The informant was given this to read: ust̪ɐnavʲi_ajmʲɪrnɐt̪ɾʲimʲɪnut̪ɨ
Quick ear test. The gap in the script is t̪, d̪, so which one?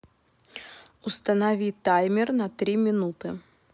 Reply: t̪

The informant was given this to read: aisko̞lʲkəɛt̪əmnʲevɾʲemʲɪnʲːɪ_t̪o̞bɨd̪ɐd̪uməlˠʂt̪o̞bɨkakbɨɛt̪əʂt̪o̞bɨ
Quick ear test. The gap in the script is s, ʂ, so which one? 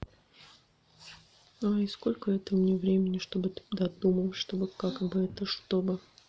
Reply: ʂ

